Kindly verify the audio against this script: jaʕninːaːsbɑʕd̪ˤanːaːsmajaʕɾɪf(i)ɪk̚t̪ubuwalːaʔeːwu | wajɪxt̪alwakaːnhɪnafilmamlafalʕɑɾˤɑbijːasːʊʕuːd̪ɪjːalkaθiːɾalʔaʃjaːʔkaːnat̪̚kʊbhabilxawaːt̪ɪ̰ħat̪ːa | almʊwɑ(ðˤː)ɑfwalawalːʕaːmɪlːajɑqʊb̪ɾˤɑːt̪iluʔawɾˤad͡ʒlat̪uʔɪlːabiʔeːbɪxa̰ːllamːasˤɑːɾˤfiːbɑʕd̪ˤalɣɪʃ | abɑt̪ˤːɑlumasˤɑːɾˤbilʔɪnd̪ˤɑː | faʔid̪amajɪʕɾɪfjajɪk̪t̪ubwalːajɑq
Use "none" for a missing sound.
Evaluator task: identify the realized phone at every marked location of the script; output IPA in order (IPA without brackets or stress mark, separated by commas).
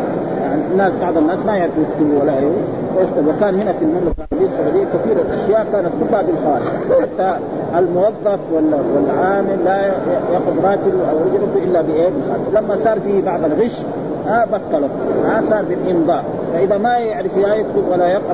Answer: j, ðˤː